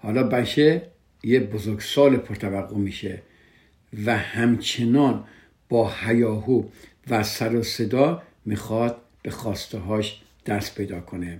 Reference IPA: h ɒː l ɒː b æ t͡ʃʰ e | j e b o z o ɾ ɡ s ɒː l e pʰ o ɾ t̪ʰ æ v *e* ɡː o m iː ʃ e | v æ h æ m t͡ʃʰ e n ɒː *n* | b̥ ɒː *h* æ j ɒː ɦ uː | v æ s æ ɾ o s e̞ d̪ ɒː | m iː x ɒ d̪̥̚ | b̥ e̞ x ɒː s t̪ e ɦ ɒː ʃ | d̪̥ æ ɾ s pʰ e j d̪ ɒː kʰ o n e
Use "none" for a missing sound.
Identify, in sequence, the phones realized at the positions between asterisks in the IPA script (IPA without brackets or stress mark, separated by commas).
æ, n, h